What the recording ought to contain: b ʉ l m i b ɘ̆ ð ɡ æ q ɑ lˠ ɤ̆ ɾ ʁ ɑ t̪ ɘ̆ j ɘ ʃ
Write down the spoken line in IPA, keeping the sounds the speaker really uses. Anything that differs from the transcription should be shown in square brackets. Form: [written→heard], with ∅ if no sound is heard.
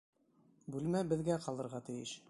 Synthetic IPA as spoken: b ʉ l m [i→æ] b ɘ̆ ð ɡ æ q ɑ lˠ ɤ̆ ɾ ʁ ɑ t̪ ɘ̆ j ɘ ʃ